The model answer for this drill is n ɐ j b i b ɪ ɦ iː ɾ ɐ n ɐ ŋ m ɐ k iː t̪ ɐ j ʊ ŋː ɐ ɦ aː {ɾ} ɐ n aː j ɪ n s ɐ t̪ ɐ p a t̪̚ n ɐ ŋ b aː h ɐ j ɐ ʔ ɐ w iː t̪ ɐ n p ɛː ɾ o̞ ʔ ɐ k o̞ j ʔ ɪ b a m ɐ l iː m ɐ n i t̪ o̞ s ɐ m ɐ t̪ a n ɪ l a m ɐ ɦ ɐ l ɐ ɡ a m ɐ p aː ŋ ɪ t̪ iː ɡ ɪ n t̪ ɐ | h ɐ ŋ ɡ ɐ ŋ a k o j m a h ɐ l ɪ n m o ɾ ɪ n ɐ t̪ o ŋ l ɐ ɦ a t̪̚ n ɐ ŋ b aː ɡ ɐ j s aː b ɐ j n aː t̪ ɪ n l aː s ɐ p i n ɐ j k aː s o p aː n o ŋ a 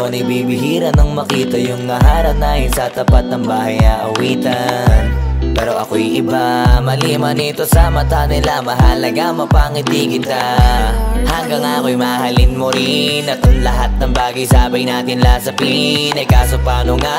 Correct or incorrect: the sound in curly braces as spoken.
correct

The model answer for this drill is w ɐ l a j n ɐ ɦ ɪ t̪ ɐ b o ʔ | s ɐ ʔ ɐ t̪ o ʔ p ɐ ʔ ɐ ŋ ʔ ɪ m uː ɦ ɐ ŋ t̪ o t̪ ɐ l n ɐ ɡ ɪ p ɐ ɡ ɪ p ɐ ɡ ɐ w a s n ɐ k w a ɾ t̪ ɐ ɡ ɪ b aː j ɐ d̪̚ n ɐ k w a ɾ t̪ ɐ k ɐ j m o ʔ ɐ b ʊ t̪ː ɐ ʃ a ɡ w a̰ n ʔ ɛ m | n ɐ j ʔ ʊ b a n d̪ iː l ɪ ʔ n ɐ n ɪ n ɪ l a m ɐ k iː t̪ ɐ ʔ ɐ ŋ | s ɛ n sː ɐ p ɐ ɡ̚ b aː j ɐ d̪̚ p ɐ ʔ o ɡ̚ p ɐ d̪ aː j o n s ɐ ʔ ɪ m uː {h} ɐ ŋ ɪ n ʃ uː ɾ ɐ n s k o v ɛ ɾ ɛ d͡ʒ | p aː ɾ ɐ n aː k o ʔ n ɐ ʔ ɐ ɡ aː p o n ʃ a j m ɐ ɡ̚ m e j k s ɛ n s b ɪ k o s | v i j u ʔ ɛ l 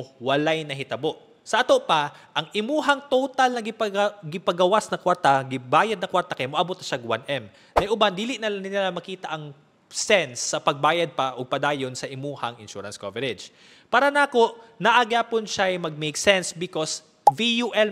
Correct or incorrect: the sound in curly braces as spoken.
correct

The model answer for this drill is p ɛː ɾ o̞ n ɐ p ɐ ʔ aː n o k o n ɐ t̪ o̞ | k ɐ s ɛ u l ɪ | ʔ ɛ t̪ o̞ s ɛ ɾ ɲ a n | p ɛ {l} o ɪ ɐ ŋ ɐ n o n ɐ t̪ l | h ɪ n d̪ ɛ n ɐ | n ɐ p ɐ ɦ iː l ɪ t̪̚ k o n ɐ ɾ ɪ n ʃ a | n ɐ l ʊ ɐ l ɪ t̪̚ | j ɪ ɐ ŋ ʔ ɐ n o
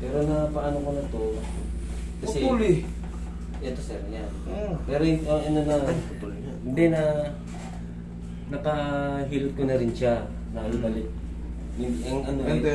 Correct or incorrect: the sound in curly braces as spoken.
incorrect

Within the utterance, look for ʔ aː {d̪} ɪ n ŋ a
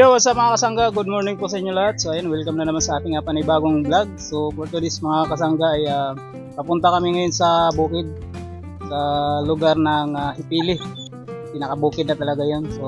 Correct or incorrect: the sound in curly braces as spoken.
incorrect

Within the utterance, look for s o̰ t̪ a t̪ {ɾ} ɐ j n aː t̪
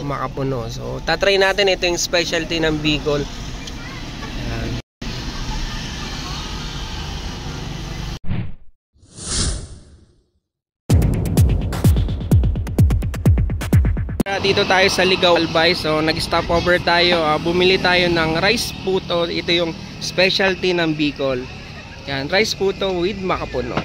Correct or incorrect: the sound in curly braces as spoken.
correct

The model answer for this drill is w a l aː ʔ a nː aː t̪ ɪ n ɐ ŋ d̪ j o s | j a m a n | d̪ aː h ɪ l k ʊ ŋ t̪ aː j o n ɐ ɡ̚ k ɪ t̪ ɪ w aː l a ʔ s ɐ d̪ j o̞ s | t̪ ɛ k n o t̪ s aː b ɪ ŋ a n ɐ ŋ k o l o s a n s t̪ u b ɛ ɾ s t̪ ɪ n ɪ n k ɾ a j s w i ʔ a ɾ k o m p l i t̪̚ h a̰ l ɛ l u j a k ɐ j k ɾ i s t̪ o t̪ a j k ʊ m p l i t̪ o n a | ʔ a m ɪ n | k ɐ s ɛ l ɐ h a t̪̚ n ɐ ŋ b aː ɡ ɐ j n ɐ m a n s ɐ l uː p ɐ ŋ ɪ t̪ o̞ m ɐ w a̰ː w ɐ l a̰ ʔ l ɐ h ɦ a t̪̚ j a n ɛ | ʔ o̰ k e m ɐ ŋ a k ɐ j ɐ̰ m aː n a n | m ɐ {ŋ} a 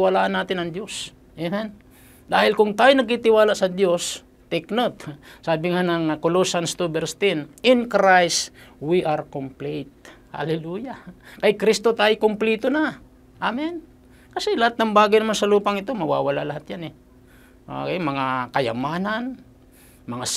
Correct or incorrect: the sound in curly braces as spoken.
correct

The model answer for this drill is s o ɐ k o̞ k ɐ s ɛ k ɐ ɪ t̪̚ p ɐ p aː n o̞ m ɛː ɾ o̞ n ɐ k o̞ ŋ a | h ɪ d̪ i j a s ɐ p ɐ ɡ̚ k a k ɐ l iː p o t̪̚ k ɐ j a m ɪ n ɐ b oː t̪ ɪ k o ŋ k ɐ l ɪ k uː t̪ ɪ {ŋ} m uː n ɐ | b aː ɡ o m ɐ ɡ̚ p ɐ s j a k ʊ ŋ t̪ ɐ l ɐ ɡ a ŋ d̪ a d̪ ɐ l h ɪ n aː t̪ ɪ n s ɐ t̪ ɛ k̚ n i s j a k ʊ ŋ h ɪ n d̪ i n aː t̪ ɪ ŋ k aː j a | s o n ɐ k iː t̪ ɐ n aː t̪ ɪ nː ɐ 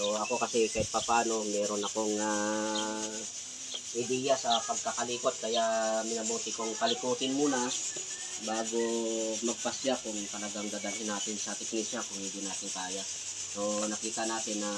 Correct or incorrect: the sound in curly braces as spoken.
incorrect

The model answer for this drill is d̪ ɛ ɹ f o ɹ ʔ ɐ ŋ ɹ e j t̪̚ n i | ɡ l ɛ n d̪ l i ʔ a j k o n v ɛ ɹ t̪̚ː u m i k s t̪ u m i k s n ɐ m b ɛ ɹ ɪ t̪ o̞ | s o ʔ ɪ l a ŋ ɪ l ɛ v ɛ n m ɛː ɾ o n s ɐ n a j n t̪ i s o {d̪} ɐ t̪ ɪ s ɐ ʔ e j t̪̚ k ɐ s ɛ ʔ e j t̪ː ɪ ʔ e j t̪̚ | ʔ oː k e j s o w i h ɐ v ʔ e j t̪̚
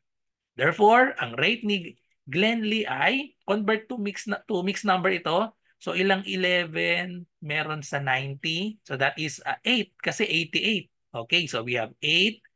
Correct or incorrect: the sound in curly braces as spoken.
correct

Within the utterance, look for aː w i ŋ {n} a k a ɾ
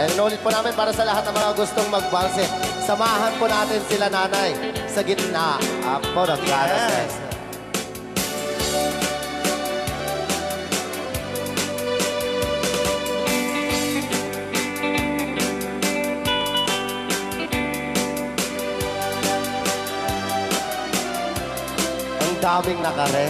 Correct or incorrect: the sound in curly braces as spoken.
correct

